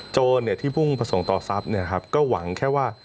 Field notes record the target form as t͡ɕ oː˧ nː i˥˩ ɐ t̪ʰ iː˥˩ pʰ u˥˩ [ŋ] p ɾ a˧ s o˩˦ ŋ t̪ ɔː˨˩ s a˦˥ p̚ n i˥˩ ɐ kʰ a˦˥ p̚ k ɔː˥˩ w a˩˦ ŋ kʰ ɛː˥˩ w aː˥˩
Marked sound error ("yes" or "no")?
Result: no